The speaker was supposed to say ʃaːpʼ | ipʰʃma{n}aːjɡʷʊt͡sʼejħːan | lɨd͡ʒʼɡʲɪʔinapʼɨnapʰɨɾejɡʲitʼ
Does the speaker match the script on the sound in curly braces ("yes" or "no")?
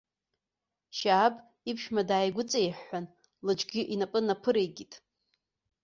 no